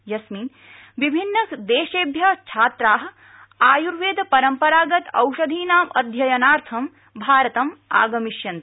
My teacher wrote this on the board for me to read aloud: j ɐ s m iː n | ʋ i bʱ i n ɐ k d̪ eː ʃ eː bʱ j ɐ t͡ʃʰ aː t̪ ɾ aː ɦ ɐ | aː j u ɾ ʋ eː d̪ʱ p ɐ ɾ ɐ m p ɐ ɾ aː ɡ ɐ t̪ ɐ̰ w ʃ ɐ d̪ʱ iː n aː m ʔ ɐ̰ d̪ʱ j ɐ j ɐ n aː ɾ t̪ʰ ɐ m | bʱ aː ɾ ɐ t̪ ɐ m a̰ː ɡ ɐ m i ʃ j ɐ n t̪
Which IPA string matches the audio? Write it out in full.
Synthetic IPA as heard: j ɐ s m iː n | ʋ i bʱ i nː ɐ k d̪ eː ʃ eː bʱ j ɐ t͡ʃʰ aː t̪ ɾ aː ɦ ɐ | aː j u ɾ ʋ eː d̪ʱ p ɐ ɾ ɐ m p ɐ ɾ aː ɡ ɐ t̪ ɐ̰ w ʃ ɐ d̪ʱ iː n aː m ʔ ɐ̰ d̪ʱ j ɐ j ɐ n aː ɾ t̪ʰ ɐ m | bʱ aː ɾ ɐ t̪ ɐ m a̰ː ɡ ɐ m i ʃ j ɐ n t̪